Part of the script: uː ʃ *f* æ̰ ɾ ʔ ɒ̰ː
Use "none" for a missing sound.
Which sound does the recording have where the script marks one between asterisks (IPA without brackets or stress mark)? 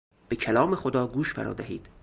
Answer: f